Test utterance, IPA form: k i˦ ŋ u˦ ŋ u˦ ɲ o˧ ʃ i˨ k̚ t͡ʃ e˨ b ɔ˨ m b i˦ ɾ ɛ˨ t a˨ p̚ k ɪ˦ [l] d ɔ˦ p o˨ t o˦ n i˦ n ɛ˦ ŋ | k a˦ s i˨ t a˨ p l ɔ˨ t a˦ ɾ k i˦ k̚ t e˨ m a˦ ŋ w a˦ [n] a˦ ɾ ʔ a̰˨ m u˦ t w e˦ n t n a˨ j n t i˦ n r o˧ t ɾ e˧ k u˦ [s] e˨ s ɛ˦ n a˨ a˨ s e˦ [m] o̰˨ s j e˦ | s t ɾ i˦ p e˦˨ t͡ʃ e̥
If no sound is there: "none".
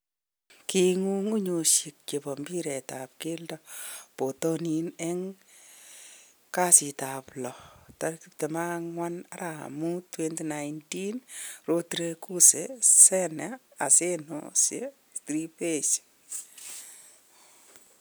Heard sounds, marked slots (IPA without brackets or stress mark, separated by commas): l, n, s, n